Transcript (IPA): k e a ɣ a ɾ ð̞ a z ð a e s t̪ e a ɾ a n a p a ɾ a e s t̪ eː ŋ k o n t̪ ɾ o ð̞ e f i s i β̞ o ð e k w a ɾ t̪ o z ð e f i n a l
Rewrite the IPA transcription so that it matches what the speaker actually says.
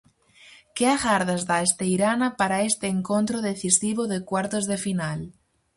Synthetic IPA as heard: k e a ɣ a ɾ ð̞ a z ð a e s t̪ e i ɾ a n a p a ɾ a e s t̪ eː ŋ k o n t̪ ɾ o ð̞ e θ i s i β̞ o ð e k w a ɾ t̪ o z ð e f i n a l

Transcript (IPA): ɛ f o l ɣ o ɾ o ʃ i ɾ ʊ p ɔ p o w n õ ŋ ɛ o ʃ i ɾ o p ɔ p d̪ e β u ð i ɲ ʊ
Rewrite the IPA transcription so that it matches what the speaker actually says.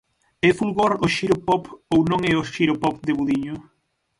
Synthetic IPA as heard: ɛ f u l ɣ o ɾ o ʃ i ɾ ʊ p ɔ p o w n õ ŋ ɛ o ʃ i ɾ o p ɔ p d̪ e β u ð i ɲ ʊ

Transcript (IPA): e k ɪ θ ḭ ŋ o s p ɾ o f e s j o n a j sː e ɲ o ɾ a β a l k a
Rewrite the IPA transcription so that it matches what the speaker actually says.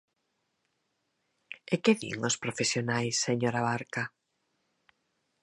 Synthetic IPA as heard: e k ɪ ð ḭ ŋ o s p ɾ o f e s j o n a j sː e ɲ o ɾ a β a ɾ k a

